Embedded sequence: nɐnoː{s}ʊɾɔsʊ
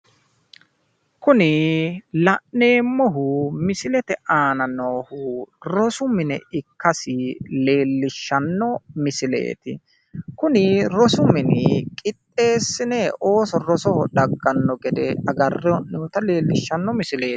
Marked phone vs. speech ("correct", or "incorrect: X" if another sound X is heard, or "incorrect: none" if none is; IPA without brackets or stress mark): incorrect: h